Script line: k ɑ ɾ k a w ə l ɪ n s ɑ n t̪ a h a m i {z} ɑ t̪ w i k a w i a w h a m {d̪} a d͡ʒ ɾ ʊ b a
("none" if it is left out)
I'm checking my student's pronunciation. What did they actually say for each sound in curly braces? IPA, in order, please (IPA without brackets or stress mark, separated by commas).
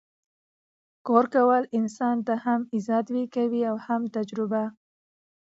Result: z, t̪